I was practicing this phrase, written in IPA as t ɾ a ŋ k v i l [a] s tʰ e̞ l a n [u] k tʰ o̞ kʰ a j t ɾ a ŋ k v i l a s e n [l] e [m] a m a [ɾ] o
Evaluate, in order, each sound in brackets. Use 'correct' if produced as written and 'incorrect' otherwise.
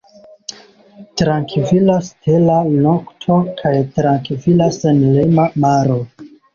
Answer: correct, incorrect: o, correct, correct, correct

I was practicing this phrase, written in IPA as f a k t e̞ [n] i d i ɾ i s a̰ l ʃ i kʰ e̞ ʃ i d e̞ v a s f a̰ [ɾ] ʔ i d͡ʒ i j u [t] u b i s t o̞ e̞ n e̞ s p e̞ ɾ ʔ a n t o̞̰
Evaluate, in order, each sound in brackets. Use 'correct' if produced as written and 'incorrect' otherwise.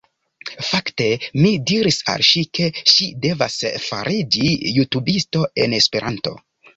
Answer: incorrect: m, correct, correct

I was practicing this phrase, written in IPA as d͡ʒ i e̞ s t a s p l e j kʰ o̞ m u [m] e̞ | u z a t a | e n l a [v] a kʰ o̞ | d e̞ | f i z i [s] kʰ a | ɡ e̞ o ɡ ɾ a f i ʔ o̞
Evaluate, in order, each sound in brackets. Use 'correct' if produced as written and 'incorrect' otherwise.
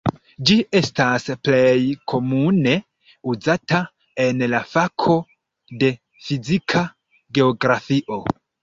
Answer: incorrect: n, incorrect: f, incorrect: none

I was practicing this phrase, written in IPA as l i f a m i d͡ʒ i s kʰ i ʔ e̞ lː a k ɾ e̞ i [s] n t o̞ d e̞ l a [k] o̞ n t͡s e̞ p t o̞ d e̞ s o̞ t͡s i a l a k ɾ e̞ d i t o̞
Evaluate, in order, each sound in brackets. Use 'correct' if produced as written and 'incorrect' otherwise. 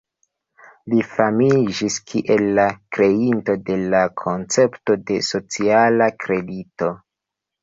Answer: incorrect: none, incorrect: kʰ

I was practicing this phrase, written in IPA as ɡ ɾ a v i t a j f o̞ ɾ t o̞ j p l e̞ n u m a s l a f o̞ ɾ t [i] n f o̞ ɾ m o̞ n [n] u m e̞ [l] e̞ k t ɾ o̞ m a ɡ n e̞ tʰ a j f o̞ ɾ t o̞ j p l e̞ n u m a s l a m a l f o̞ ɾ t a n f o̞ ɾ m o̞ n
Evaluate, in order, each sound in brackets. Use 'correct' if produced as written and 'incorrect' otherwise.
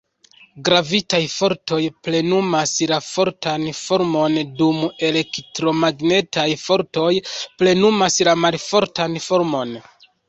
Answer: incorrect: a, incorrect: d, correct

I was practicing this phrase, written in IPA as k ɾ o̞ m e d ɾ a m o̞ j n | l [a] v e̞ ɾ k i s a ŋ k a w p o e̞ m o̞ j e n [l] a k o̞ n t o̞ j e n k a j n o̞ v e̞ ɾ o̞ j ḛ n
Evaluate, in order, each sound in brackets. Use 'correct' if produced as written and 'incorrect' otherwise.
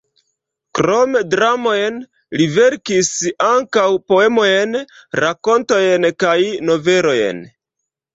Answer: incorrect: i, incorrect: ɾ

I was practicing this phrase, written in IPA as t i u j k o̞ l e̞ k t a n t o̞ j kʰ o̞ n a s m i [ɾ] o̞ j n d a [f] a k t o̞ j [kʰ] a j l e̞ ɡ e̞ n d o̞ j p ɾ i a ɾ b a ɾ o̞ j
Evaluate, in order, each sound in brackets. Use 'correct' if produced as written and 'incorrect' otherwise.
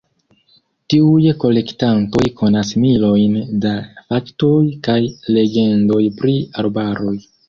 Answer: incorrect: l, correct, incorrect: k

